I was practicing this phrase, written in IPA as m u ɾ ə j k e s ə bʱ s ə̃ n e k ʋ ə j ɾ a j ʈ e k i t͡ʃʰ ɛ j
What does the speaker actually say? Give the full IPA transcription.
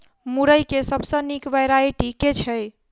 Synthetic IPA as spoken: m u ɾ ə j k e s ə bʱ s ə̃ n i k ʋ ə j ɾ a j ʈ i k e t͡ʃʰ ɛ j